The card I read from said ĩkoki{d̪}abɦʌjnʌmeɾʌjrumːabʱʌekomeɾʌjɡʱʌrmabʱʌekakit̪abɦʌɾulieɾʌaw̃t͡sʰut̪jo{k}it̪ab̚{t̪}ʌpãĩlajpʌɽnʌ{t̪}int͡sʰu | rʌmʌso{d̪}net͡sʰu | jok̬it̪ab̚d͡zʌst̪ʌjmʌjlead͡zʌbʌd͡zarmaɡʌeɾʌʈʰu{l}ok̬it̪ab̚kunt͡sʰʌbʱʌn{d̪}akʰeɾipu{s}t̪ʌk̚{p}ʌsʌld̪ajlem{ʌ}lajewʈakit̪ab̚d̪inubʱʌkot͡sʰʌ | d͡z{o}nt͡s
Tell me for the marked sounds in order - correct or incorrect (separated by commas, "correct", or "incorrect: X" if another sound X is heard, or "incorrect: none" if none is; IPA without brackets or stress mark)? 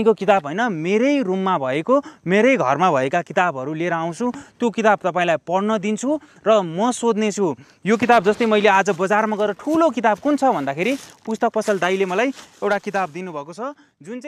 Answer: incorrect: t̪, correct, correct, incorrect: d̪, correct, correct, correct, correct, correct, correct, incorrect: u